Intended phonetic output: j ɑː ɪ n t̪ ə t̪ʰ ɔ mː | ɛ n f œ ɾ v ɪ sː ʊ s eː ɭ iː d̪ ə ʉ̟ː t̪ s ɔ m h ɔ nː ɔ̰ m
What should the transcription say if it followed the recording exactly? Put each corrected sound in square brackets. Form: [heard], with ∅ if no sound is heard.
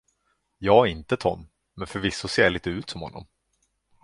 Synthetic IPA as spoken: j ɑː ɪ n t̪ ə t̪ʰ ɔ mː | ɛ n f œ ɾ v ɪ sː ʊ s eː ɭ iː [t̪] ə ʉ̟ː t̪ s ɔ m h ɔ nː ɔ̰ m